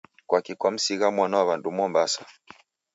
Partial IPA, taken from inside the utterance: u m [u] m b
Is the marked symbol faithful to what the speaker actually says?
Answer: no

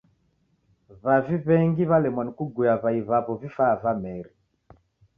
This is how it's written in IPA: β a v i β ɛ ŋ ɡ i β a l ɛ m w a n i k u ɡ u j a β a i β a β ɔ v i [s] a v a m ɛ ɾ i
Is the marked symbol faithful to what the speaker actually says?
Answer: no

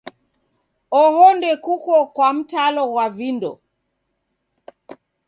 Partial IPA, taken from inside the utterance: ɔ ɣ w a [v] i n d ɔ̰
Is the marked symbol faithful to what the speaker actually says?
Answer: yes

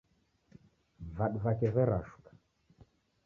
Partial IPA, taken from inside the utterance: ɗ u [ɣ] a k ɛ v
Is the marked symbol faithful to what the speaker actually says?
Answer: no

